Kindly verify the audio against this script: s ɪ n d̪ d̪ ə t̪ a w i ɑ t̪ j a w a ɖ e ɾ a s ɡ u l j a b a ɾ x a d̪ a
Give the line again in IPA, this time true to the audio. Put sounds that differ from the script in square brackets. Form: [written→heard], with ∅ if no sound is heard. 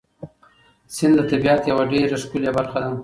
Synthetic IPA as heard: s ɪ n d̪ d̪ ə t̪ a [w→b] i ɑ t̪ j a w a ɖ e ɾ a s [ɡ→k] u l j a b a ɾ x a d̪ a